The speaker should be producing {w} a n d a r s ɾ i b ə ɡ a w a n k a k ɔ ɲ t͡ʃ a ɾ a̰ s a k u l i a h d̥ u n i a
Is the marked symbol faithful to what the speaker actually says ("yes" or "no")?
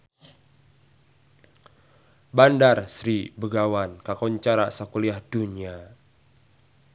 no